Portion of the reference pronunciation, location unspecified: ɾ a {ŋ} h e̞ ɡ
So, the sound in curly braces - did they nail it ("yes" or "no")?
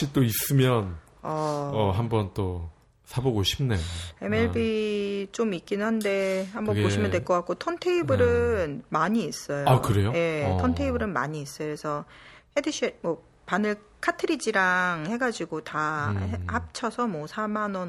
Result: yes